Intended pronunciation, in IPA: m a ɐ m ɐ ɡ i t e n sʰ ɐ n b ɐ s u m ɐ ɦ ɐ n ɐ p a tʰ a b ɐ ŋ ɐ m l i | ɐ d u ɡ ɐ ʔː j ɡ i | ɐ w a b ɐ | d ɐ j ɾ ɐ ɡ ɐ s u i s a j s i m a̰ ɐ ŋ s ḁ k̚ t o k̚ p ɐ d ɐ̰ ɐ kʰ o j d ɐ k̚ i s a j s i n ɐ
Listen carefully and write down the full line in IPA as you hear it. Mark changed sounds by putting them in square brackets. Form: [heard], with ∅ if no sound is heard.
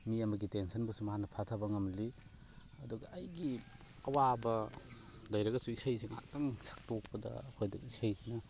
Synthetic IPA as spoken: m [i] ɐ m ɐ ɡ i t e n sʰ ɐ n b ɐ s u m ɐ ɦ [a] n ɐ [pʰ] a tʰ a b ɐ ŋ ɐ m l i | ɐ d u ɡ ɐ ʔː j ɡ i | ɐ w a b ɐ | d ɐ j ɾ ɐ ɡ ɐ s u i s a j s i [ŋ] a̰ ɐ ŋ s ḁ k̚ t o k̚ p ɐ d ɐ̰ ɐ kʰ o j d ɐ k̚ i s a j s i n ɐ